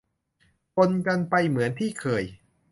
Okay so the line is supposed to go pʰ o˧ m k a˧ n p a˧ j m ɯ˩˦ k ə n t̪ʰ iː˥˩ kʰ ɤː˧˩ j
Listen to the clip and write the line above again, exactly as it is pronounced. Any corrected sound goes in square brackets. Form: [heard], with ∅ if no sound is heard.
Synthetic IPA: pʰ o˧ [n] k a˧ n p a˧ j m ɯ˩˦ [∅] ə n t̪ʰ iː˥˩ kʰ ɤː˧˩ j

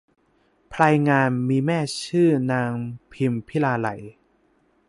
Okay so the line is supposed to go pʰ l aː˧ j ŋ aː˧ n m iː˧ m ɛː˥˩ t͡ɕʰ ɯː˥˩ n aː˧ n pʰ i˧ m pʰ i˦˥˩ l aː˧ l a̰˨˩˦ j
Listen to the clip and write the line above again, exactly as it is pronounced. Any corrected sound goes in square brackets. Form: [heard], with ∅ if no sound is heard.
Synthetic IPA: pʰ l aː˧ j ŋ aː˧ n m iː˧ m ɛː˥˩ t͡ɕʰ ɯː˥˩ n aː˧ [ŋ] pʰ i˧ m pʰ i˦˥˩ l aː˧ l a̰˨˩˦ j

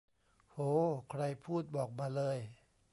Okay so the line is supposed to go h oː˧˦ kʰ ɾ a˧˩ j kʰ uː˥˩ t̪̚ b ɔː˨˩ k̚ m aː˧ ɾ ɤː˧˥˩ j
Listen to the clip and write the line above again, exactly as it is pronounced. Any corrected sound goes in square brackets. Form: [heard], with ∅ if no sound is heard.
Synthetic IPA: h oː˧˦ kʰ ɾ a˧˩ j [pʰ] uː˥˩ t̪̚ b ɔː˨˩ k̚ m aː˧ [l] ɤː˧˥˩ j

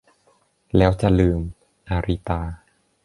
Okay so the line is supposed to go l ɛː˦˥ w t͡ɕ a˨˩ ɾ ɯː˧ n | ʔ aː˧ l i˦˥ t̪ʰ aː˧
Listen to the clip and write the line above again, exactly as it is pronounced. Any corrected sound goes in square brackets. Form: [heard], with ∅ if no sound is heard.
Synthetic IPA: l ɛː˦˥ w t͡ɕ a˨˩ [l] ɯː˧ [m] | ʔ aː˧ [ɾ] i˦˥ [t̪] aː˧

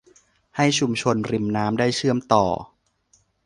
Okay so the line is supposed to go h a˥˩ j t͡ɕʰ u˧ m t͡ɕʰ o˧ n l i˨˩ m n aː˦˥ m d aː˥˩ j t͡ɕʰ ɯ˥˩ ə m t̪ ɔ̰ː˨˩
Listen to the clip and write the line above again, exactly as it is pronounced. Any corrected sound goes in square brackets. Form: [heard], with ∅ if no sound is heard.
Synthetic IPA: h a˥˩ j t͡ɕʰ u˧ m t͡ɕʰ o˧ n [ɾ] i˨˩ m n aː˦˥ m d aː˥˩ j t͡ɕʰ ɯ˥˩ ə m t̪ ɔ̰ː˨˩

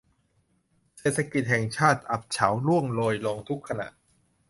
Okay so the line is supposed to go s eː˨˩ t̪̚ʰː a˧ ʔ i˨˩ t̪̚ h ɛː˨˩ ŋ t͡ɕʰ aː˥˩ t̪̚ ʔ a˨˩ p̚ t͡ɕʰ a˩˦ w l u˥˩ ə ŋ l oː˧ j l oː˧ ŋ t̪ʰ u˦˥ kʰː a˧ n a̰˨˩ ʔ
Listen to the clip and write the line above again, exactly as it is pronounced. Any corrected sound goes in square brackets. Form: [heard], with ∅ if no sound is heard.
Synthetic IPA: s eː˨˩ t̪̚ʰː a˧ [k] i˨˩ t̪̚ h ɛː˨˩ ŋ t͡ɕʰ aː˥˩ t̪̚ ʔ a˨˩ p̚ t͡ɕʰ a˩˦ w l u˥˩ ə ŋ l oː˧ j l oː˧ ŋ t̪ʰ u˦˥ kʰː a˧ n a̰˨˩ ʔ

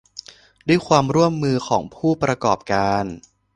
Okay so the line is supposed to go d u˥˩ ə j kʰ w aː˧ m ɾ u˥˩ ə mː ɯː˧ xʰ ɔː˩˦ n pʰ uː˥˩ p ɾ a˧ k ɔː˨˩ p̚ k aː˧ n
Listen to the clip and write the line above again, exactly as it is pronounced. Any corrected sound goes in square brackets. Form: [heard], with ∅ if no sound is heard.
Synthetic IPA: d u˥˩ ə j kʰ w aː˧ m ɾ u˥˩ ə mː ɯː˧ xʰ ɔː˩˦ [ŋ] pʰ uː˥˩ p ɾ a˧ k ɔː˨˩ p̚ k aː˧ n

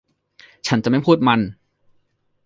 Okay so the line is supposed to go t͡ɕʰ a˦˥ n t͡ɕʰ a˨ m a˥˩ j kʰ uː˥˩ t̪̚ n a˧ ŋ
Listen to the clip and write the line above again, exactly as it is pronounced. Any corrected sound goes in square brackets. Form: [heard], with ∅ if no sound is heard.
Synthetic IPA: t͡ɕʰ a˦˥ n [t͡ɕ] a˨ m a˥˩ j [pʰ] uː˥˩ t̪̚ [m] a˧ [n]

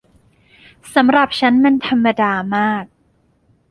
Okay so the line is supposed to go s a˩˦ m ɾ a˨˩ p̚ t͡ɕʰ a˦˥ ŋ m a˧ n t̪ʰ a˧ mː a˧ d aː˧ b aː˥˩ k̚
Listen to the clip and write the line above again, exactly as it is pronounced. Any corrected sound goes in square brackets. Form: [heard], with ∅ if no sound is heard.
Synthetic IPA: s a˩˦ m ɾ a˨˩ p̚ t͡ɕʰ a˦˥ [n] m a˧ n t̪ʰ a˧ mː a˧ d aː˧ [m] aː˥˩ k̚

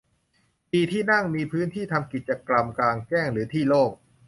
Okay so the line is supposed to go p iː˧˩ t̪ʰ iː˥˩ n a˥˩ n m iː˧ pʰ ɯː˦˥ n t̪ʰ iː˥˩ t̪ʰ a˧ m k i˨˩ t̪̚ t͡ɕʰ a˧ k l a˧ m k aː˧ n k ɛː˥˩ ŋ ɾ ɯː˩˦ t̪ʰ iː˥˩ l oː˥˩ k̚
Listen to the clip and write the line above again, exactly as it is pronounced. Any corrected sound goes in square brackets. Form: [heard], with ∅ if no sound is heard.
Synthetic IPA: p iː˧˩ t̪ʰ iː˥˩ n a˥˩ [ŋ] m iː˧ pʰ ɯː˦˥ n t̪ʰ iː˥˩ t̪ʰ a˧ m k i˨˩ t̪̚ [t͡ɕ] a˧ k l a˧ m k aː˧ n k ɛː˥˩ ŋ ɾ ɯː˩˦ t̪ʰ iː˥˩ l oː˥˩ k̚

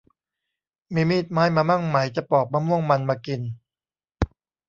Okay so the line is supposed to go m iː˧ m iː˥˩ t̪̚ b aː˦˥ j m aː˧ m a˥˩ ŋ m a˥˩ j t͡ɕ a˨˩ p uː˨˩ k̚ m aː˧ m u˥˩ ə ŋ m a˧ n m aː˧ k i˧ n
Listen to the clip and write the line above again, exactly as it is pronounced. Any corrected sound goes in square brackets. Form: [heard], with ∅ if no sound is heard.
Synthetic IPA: m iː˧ m iː˥˩ t̪̚ [m] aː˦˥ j m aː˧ m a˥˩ ŋ m [a˩˦] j t͡ɕ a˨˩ p [ɔː˨˩] k̚ m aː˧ m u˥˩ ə ŋ m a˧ n m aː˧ k i˧ n

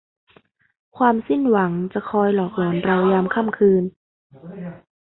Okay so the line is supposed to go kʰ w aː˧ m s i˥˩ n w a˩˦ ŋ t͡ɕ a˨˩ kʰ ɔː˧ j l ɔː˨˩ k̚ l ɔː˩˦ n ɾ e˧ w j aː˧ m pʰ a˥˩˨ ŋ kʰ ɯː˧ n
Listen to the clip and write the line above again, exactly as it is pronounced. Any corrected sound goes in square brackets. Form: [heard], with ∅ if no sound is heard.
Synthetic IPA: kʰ w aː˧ m s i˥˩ n w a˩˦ ŋ t͡ɕ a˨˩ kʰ ɔː˧ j l ɔː˨˩ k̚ l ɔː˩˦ n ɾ [a˧] w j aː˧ m [kʰ] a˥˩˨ [m] kʰ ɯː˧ n

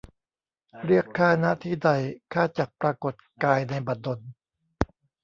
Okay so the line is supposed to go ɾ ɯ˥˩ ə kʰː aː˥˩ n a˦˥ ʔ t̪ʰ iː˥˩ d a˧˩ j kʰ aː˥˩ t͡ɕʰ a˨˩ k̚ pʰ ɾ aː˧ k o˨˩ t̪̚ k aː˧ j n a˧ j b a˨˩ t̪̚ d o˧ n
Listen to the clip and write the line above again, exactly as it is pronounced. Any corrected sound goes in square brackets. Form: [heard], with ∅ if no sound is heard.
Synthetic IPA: ɾ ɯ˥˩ ə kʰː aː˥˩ n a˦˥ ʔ t̪ʰ iː˥˩ d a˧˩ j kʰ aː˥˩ [t͡ɕ] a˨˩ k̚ [p] ɾ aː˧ k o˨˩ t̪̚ k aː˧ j n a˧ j b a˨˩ t̪̚ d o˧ n

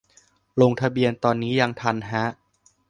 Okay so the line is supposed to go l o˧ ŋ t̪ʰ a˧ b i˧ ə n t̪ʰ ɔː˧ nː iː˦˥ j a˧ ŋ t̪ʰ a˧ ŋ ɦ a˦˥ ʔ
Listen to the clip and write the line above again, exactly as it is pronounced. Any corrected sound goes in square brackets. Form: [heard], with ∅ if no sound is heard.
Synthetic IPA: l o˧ ŋ t̪ʰ a˧ b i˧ ə n [t̪] ɔː˧ nː iː˦˥ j a˧ ŋ t̪ʰ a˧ [n] ɦ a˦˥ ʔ

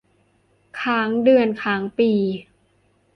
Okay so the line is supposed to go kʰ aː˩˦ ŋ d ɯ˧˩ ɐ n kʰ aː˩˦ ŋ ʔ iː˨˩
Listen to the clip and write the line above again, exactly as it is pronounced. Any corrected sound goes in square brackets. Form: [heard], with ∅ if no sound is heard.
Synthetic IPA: kʰ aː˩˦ ŋ d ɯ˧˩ [ə] n kʰ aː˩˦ ŋ [p] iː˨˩

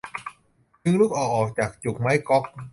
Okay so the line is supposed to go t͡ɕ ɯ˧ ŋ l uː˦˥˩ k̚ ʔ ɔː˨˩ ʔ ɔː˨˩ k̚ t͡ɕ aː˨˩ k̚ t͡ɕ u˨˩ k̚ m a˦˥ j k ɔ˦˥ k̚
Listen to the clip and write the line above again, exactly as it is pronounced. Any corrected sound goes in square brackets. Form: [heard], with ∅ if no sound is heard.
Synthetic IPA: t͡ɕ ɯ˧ ŋ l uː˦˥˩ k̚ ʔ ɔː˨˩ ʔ ɔː˨˩ k̚ t͡ɕ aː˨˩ k̚ t͡ɕ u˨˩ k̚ m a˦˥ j k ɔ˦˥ k̚

